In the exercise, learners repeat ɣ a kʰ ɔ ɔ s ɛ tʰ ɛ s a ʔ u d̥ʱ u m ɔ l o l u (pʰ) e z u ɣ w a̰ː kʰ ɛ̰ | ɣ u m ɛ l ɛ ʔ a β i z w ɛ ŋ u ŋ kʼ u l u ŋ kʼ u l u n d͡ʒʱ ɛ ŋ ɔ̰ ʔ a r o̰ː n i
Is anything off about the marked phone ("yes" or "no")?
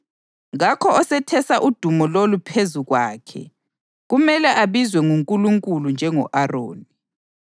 no